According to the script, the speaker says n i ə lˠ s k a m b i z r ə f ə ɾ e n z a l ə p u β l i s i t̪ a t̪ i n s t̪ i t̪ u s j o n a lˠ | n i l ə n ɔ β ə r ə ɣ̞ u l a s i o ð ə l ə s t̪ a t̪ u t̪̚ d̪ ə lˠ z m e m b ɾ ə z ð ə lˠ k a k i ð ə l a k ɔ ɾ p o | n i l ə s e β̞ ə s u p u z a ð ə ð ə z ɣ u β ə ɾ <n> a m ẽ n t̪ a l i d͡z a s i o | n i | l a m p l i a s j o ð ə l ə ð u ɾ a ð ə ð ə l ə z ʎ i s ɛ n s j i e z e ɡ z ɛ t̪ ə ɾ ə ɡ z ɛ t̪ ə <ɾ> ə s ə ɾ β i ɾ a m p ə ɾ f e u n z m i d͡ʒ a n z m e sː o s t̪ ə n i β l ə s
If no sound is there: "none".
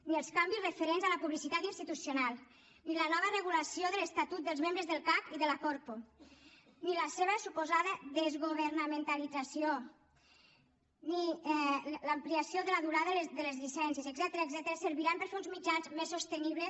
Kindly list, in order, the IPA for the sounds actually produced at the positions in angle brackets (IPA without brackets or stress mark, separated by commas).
n, ɾ